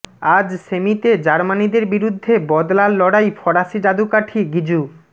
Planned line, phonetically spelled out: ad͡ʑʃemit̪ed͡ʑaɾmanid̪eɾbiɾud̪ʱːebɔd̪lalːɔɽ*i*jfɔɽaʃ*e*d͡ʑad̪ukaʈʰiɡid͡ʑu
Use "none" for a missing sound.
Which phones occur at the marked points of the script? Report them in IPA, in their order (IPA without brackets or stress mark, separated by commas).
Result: a, i